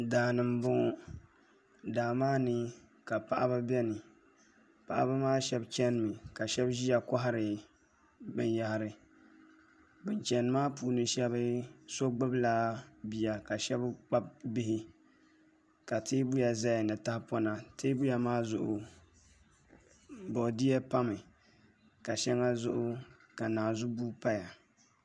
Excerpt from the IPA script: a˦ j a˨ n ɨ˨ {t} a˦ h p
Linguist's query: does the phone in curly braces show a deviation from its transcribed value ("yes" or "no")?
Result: no